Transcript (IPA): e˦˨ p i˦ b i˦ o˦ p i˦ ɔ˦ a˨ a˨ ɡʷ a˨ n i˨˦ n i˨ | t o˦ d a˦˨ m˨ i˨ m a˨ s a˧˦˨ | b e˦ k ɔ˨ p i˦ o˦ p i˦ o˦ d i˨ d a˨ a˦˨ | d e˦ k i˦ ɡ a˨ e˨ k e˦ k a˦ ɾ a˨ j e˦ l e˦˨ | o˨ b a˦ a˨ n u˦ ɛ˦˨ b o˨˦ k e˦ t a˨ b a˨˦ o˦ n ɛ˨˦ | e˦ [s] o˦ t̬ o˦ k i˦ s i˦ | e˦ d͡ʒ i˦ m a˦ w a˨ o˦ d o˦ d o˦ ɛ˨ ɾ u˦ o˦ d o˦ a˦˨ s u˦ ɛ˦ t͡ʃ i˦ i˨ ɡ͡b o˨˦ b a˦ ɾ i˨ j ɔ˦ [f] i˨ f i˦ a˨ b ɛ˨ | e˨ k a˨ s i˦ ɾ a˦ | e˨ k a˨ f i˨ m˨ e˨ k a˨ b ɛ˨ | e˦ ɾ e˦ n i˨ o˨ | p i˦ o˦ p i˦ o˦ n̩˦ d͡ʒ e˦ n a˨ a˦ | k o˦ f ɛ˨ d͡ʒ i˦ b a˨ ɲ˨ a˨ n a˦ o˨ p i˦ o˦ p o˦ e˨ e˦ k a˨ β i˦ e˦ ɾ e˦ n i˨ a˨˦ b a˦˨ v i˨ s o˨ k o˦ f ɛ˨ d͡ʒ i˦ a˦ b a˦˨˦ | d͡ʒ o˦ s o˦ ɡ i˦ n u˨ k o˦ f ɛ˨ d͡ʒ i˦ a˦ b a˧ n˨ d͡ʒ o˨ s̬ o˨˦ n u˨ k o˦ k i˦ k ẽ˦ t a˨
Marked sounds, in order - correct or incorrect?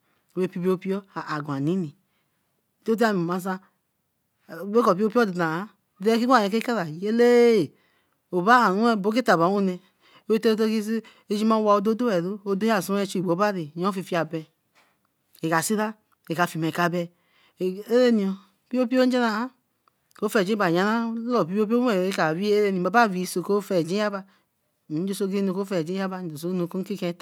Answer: incorrect, correct

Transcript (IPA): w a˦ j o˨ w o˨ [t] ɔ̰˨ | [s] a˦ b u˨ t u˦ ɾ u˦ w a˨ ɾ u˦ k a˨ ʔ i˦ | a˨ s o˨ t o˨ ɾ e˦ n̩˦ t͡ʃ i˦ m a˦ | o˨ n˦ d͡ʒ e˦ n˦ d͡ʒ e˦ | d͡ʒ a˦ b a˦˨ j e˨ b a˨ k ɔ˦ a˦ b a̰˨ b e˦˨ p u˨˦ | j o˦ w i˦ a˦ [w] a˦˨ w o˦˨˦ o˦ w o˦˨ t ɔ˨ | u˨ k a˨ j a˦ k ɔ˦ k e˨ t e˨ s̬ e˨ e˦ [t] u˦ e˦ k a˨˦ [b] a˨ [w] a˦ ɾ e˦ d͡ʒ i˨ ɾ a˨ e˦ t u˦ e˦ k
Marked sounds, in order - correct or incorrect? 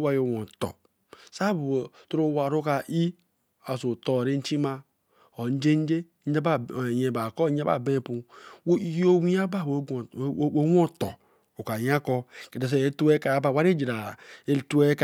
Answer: correct, correct, incorrect, correct, correct, correct

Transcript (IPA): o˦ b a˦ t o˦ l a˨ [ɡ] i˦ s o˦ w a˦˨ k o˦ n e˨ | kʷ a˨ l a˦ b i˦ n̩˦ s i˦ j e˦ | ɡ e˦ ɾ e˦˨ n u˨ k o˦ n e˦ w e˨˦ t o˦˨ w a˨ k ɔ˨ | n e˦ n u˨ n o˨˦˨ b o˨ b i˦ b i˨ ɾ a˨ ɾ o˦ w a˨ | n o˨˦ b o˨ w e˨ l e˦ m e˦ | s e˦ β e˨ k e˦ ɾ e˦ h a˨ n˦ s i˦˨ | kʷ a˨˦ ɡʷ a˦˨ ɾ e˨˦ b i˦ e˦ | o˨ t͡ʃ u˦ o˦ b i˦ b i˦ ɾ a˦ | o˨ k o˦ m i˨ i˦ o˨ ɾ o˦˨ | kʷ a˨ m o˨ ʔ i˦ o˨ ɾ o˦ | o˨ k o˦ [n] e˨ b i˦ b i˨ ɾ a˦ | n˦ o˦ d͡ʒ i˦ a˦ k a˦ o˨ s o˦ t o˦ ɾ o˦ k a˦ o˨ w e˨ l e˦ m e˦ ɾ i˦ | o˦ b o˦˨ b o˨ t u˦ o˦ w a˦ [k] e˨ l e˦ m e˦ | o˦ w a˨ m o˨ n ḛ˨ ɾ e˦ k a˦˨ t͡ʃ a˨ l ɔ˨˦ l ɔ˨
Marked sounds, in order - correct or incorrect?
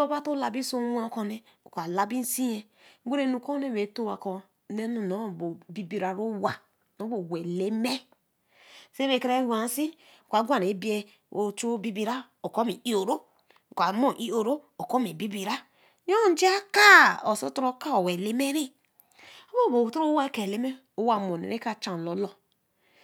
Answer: incorrect, incorrect, correct

